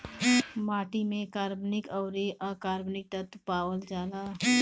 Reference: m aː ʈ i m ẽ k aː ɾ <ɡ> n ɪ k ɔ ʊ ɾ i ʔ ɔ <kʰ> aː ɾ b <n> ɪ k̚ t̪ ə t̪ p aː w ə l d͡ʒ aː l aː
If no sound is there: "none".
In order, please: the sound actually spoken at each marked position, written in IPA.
b, k, n

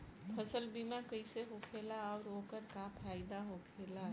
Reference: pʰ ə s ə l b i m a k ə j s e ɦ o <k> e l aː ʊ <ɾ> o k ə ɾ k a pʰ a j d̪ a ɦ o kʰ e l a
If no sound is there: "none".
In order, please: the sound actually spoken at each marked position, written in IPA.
kʰ, ɾ

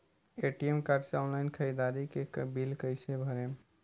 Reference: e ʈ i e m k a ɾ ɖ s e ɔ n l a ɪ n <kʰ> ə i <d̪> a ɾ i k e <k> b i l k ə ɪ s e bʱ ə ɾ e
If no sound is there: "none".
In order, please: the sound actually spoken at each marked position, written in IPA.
kʰ, d̪, k

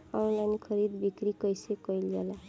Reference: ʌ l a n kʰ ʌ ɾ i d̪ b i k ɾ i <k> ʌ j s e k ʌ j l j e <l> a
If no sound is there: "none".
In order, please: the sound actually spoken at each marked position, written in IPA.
k, l

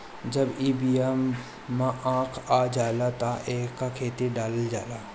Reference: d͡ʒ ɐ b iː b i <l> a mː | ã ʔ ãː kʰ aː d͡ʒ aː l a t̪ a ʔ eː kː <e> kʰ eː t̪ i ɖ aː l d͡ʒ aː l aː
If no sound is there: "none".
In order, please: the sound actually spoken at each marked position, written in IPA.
none, a

